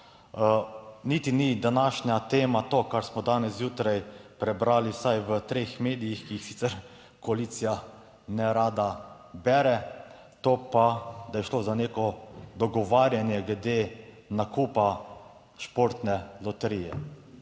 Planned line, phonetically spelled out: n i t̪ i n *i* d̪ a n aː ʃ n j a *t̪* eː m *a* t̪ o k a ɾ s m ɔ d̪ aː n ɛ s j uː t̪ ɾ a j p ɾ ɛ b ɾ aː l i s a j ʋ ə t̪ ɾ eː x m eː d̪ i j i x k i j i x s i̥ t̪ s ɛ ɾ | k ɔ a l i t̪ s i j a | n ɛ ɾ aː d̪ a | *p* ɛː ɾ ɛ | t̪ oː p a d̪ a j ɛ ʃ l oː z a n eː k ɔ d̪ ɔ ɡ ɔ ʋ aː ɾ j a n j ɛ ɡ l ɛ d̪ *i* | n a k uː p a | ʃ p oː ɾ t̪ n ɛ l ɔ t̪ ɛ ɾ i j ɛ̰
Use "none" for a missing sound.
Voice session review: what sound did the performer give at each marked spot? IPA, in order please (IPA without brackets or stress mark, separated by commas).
i, t̪, a, b, e